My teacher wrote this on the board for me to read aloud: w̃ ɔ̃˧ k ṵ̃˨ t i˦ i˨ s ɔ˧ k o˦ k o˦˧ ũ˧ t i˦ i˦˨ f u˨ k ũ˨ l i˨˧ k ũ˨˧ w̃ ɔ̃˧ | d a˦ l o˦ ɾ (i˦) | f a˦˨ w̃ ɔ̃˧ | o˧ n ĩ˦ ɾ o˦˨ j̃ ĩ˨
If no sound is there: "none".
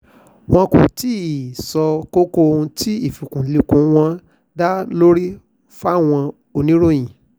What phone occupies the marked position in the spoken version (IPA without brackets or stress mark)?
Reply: i˦